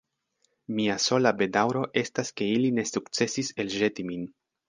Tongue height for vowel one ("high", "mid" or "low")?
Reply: high